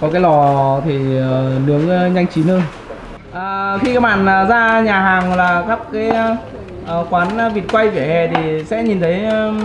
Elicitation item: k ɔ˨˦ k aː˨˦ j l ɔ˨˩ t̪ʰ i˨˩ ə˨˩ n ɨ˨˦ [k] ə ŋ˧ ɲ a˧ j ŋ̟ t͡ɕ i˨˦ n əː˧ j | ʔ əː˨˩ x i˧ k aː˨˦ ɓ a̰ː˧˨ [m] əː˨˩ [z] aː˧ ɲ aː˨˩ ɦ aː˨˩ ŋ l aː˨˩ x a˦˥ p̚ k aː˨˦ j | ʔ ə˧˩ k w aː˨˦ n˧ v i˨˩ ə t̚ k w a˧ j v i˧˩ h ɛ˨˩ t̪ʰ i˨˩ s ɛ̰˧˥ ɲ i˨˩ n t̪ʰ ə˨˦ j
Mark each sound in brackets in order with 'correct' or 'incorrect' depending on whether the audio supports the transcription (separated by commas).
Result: incorrect, incorrect, correct